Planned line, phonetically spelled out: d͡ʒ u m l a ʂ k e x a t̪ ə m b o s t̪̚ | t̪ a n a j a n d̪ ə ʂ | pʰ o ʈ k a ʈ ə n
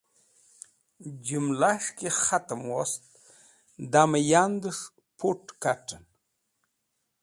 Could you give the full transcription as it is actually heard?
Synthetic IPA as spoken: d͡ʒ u m l a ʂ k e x a t̪ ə m w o s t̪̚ | d̪ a m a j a n d̪ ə ʂ | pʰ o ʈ k a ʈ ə n